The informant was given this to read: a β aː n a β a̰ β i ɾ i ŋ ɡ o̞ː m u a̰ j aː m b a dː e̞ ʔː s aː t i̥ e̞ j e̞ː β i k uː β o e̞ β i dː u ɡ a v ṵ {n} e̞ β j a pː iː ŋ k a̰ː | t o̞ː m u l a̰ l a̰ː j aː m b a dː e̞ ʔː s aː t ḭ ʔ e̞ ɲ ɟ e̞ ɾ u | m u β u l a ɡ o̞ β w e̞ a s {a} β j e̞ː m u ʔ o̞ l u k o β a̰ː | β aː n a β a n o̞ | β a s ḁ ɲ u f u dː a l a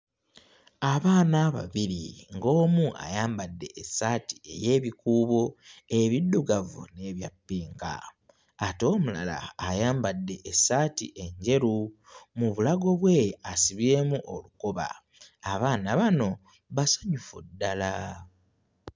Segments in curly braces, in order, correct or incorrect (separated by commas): correct, incorrect